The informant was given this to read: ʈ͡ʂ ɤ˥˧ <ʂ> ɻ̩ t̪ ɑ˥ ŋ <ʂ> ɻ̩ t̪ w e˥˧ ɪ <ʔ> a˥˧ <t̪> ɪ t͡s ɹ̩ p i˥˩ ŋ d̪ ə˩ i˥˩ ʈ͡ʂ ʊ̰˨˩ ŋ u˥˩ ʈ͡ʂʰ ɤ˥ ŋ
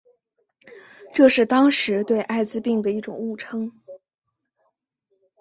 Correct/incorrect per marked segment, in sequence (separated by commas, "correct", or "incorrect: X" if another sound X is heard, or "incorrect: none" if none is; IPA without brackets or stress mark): correct, correct, correct, incorrect: none